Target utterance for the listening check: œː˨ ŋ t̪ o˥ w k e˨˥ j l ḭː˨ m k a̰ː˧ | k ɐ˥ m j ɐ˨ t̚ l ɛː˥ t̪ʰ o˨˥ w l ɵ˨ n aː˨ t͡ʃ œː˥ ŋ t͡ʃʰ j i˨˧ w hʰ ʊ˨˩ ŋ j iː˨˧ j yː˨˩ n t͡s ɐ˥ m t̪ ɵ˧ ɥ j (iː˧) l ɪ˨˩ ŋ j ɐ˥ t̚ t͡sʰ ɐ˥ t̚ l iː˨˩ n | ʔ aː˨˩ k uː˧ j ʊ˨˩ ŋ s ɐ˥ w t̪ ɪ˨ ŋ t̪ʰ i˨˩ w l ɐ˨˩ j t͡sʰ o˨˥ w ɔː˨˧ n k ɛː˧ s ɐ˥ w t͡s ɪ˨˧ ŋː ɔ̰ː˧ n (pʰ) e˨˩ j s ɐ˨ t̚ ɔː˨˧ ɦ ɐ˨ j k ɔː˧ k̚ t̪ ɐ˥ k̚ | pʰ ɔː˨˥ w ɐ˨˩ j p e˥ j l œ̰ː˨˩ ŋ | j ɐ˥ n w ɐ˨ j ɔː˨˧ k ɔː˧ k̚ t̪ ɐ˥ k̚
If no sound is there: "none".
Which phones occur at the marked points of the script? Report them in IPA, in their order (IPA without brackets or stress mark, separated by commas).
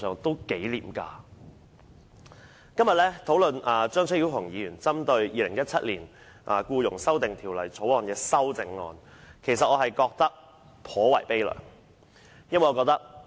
iː˧, kʰ